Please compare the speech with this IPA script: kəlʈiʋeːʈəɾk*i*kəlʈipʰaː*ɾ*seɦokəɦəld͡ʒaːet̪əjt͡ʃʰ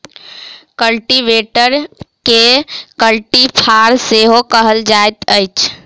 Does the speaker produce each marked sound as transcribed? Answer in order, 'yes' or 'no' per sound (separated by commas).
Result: no, yes